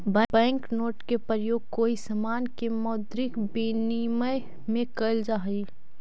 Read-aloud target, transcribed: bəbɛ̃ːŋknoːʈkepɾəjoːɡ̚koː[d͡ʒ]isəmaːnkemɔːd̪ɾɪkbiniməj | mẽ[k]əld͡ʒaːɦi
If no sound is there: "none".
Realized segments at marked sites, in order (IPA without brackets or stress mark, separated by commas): none, k